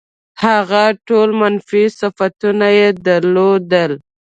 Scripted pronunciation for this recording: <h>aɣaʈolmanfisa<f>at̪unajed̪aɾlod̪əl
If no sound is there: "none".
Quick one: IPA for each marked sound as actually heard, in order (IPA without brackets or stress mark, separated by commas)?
h, f